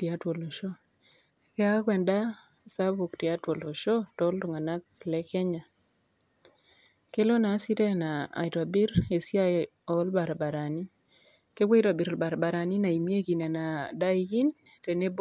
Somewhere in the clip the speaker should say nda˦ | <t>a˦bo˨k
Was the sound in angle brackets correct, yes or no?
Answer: no